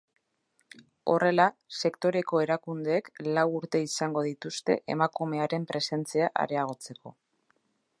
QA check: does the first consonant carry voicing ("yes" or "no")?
yes